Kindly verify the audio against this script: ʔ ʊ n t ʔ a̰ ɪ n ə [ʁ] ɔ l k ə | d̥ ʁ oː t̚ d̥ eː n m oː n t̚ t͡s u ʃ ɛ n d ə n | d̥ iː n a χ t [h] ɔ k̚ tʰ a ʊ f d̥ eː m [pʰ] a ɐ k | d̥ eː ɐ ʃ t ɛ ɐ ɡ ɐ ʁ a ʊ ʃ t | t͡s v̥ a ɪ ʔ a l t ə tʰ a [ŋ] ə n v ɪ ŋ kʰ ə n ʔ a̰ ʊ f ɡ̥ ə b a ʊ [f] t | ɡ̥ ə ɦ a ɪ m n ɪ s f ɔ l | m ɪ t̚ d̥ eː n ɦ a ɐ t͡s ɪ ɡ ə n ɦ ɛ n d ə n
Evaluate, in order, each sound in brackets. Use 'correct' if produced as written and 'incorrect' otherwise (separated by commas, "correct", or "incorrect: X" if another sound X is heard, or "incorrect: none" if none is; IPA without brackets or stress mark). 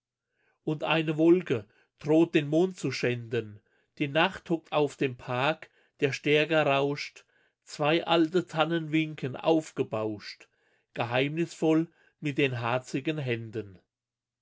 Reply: incorrect: v, correct, correct, incorrect: n, incorrect: ʃ